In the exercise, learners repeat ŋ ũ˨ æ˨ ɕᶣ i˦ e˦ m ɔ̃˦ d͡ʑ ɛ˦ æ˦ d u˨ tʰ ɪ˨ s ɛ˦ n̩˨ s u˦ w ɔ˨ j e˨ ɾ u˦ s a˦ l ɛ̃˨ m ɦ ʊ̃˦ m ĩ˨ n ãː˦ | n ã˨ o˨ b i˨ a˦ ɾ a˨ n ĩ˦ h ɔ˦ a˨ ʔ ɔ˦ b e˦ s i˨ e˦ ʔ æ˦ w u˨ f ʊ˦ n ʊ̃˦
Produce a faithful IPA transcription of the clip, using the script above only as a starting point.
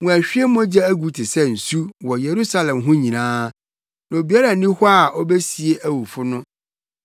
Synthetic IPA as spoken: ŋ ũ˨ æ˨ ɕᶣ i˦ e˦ m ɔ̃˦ d͡ʑ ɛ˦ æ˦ ɡ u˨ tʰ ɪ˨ s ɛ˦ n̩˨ s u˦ w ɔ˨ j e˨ ɾ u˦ s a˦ l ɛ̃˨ m ɦ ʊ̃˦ ɲ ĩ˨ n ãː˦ | n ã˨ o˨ b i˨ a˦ ɾ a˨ n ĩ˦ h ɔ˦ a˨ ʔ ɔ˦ b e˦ s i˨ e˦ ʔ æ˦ w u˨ f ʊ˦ n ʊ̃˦